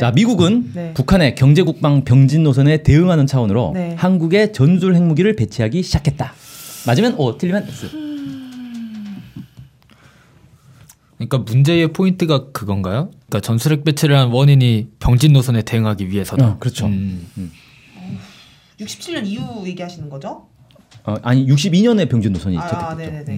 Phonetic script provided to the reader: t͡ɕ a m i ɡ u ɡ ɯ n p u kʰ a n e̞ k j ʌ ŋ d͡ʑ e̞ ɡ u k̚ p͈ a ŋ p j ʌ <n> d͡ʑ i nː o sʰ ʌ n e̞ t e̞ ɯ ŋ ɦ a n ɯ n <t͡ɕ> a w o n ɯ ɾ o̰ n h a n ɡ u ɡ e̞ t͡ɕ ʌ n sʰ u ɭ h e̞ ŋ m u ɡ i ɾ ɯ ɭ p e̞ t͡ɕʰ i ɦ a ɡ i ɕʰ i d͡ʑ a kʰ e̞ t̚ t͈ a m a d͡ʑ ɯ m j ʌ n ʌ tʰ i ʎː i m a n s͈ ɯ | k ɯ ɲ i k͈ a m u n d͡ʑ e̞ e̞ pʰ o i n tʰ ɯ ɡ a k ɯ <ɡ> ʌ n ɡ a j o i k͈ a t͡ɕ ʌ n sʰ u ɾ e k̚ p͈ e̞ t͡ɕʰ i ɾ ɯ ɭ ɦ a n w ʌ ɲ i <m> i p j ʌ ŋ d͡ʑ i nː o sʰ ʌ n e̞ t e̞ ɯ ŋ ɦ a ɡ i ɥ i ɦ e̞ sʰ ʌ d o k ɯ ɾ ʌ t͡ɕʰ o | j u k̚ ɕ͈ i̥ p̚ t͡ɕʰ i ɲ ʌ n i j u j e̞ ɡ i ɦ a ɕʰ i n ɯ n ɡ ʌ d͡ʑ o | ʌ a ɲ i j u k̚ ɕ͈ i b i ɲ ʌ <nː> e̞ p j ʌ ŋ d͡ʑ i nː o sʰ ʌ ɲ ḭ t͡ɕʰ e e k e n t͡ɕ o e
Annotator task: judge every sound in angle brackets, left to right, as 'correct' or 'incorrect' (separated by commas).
incorrect, incorrect, correct, incorrect, incorrect